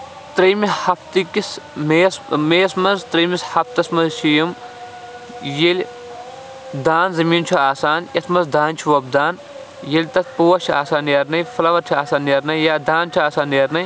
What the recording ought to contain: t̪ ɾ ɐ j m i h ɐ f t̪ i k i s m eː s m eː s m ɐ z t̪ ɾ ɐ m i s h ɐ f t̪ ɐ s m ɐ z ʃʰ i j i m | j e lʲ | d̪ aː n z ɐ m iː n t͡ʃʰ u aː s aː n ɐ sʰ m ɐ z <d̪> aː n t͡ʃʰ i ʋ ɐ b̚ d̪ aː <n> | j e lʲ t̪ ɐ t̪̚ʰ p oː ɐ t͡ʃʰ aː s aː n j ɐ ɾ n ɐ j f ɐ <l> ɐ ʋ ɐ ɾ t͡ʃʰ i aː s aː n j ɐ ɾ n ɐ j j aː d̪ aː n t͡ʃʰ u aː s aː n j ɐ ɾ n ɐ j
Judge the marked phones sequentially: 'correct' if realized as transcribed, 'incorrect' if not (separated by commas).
correct, correct, correct